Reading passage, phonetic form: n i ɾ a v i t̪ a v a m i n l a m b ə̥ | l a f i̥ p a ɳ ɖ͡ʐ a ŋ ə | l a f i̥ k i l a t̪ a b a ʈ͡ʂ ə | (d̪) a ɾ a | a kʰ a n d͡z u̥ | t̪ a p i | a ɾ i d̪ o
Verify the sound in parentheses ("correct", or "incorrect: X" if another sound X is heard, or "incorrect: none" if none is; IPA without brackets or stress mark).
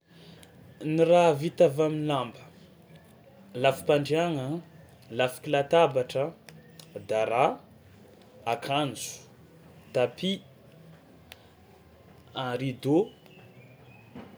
correct